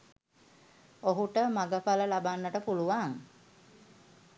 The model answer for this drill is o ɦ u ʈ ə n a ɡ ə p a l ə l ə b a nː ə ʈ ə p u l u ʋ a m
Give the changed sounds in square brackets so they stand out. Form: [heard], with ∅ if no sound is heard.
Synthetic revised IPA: o ɦ u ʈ ə [m] a ɡ ə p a l ə l [a] b a nː ə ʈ ə p u l u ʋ a [ŋ]